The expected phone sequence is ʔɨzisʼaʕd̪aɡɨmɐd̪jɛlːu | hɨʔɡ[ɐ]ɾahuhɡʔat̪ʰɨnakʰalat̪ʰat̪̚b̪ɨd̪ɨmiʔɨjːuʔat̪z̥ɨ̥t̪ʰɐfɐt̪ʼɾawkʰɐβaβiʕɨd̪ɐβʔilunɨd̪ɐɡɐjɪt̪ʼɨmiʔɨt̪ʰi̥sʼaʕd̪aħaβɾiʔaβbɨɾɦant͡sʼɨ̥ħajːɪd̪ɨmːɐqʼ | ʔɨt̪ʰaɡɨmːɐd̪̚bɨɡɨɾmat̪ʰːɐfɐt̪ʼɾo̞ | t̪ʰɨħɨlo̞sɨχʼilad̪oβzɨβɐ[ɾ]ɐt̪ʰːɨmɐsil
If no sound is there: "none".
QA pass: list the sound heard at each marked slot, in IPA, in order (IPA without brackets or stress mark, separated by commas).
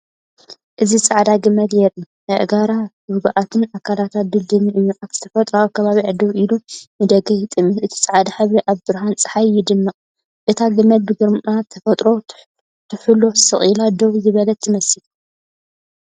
a, l